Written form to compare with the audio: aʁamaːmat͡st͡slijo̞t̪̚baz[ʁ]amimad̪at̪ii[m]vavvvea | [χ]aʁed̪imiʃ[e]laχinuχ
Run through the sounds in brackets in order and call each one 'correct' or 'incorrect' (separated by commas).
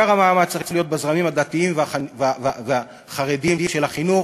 correct, correct, correct, correct